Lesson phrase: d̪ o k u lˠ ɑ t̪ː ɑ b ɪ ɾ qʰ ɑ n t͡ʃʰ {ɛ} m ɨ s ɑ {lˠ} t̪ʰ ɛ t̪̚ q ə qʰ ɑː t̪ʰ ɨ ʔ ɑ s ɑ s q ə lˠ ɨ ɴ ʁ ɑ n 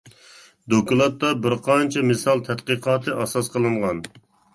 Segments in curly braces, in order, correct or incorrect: correct, correct

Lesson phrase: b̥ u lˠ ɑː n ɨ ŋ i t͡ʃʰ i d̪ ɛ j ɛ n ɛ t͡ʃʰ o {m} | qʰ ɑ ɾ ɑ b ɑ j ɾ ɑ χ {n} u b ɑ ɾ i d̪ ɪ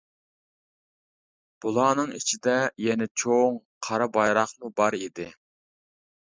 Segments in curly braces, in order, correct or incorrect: incorrect: ŋ, incorrect: m

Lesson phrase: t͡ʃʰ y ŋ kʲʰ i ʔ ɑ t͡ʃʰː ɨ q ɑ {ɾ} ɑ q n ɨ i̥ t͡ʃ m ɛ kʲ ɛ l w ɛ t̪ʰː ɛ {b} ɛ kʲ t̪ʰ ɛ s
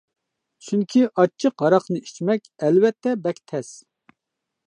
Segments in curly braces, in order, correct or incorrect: correct, correct

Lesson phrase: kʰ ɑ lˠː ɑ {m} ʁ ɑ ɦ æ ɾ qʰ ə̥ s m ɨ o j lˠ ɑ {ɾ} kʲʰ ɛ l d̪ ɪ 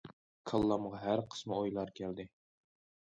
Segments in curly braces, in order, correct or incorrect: correct, correct

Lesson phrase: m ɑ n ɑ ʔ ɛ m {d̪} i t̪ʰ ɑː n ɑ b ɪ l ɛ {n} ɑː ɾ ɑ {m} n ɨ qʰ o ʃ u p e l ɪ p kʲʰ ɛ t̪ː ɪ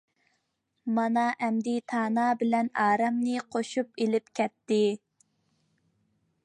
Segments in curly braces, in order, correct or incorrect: correct, correct, correct

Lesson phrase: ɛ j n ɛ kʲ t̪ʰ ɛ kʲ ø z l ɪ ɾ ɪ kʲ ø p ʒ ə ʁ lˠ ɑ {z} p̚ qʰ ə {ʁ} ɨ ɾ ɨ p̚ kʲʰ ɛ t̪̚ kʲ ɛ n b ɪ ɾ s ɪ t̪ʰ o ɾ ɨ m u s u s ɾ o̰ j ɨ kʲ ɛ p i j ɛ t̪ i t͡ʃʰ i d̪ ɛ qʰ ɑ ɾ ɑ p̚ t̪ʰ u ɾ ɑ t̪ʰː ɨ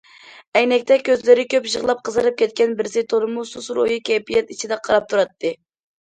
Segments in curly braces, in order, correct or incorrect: incorrect: none, incorrect: z

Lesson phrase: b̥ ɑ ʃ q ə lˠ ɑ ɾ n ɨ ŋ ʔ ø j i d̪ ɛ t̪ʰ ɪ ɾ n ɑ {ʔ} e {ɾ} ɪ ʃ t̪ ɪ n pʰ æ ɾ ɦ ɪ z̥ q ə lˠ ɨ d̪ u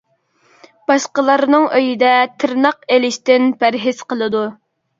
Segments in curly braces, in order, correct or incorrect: incorrect: q, incorrect: l

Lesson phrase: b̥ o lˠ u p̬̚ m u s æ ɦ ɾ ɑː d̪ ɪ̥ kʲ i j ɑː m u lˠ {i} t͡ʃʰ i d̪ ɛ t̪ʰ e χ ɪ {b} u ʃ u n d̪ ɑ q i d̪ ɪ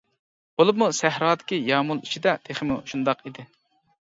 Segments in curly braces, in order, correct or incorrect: correct, incorrect: m

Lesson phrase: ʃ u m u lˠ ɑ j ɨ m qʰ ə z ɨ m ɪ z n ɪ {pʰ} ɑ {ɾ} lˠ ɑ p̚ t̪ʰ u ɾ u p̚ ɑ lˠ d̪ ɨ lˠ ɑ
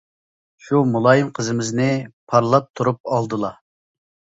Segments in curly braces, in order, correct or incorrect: correct, correct

